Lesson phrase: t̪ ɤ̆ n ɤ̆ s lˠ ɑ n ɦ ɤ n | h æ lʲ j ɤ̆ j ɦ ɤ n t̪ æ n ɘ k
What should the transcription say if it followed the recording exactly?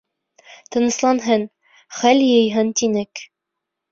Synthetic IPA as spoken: t̪ ɤ̆ n ɤ̆ s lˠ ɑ n ɦ ɤ n | χ æ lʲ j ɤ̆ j ɦ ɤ n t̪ i n ɘ k